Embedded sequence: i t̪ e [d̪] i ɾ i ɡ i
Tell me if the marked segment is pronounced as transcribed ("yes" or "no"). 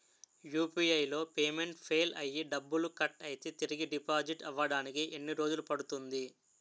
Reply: no